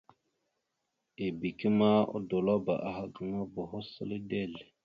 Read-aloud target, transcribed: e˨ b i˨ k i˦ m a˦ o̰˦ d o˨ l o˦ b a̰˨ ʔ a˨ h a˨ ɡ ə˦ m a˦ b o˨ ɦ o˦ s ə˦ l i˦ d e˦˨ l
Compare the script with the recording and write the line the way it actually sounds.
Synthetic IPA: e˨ b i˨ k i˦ m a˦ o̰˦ d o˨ l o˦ b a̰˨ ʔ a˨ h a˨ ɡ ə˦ ŋ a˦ b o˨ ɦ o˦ s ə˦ l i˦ d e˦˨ l